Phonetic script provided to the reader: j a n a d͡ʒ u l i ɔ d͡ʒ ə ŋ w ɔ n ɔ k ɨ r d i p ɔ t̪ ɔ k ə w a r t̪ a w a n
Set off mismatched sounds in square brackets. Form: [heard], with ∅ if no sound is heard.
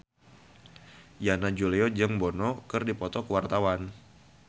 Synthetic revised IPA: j a n a d͡ʒ u l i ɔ d͡ʒ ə ŋ [b] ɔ n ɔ k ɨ r d i p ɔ t̪ ɔ k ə w a r t̪ a w a n